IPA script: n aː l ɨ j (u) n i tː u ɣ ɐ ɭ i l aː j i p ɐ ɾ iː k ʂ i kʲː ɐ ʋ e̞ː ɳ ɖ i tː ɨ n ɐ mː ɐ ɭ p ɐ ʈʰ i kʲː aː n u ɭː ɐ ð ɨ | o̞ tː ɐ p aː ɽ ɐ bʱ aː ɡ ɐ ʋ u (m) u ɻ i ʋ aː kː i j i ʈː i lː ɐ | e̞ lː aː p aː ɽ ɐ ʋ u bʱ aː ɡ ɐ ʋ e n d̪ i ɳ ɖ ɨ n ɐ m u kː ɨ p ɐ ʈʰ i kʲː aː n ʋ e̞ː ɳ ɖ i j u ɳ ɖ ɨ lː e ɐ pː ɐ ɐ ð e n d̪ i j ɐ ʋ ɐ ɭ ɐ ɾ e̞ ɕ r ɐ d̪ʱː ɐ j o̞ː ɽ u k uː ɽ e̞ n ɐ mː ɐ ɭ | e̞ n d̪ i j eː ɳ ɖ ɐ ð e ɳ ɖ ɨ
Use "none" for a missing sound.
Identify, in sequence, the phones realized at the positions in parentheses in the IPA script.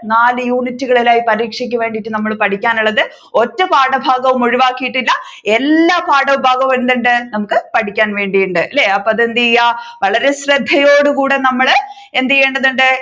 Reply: uː, m

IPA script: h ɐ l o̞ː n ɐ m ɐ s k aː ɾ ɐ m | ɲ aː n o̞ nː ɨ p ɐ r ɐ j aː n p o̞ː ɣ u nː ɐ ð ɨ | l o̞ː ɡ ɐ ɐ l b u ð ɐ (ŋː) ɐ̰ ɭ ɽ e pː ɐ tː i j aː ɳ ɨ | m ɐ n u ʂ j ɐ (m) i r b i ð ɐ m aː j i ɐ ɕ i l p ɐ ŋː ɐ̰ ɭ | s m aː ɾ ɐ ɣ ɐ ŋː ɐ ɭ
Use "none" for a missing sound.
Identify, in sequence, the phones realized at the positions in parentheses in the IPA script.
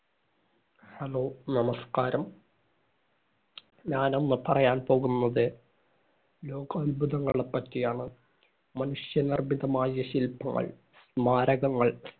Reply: ŋː, n

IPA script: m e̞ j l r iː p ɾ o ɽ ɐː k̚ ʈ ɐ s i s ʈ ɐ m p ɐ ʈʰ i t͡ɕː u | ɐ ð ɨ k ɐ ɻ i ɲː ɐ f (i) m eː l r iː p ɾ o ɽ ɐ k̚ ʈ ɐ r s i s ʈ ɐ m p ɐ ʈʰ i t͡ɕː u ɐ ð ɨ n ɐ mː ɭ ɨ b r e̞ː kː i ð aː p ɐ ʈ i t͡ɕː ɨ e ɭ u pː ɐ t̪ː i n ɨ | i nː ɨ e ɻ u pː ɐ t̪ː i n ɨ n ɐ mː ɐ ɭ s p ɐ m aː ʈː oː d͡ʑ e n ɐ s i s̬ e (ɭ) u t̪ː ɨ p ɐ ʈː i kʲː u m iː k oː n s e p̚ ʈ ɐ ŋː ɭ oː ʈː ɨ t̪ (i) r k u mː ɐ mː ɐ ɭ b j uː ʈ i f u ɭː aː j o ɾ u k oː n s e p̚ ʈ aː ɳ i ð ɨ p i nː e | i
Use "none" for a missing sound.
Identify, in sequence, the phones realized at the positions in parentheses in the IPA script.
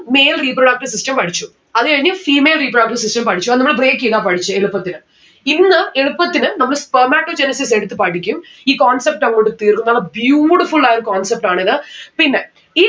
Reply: iː, ɽ, iː

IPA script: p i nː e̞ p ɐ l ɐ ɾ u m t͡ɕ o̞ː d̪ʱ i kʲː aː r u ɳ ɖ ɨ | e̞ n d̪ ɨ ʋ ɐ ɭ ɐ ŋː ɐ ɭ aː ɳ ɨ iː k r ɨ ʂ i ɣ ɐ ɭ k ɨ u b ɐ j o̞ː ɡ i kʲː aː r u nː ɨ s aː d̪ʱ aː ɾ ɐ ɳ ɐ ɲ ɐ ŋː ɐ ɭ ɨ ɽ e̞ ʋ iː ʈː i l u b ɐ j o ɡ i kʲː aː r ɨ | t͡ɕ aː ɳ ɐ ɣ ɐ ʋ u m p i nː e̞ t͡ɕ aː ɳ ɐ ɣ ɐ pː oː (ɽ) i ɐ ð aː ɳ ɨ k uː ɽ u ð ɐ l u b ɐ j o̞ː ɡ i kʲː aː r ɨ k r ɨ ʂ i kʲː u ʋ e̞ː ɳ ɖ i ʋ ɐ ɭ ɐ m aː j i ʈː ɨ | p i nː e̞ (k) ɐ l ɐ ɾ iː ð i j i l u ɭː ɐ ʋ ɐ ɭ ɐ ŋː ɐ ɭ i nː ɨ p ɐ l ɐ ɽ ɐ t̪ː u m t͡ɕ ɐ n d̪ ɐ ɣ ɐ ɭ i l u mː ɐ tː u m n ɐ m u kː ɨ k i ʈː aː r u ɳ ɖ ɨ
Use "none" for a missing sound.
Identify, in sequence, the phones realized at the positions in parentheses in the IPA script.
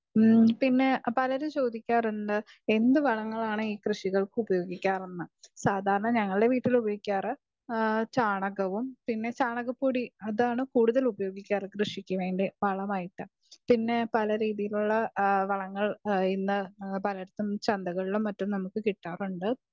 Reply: ɽ, p

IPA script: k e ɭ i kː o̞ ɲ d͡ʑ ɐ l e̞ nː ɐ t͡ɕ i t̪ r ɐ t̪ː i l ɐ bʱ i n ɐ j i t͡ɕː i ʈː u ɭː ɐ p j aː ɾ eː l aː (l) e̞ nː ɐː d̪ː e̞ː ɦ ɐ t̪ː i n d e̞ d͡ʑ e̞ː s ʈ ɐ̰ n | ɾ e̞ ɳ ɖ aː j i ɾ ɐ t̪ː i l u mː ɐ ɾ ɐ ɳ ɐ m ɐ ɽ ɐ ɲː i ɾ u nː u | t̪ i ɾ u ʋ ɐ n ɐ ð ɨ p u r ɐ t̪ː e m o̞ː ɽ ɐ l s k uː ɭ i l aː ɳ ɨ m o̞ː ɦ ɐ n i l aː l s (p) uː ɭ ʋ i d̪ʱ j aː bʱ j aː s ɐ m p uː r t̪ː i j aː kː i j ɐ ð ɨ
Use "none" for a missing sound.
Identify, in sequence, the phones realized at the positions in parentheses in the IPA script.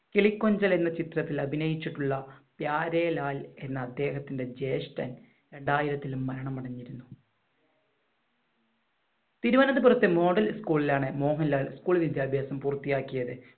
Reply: l, k

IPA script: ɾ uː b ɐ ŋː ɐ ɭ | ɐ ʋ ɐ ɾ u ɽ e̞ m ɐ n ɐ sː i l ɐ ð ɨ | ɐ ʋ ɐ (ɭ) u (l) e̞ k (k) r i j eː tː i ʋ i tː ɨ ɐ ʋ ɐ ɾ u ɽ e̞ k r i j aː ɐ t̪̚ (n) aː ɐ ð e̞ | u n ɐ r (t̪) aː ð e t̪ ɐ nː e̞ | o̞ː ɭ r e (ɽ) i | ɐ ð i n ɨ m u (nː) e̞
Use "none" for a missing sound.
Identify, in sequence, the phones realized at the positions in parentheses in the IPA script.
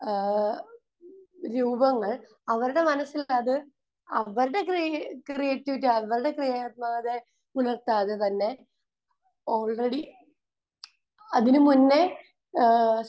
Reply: ɾ, ɽ, k, m, t̪, ɽ, nː

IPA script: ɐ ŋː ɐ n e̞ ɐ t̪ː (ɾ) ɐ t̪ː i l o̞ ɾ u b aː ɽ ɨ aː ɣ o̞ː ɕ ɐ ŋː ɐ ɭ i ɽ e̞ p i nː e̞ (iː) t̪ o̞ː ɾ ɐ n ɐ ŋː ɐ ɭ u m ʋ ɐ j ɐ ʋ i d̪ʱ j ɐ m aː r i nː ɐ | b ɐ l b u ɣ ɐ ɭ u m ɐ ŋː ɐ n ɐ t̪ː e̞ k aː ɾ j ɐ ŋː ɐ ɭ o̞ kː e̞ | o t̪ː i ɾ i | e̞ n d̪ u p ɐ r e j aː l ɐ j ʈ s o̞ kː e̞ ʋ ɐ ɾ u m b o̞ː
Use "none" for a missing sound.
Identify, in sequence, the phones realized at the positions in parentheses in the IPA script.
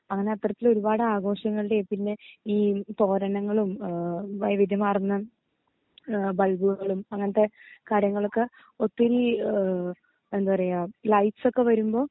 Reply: r, iː

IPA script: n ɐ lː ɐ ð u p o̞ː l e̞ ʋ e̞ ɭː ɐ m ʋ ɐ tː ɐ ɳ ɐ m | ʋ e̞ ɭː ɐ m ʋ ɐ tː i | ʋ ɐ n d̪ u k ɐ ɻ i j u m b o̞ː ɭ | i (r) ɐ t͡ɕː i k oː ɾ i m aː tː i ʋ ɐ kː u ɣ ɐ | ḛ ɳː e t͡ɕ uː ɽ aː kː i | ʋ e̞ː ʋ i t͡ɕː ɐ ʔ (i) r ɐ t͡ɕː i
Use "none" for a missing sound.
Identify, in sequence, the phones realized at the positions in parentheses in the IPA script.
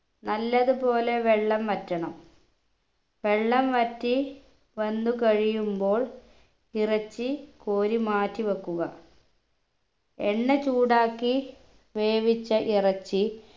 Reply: r, i

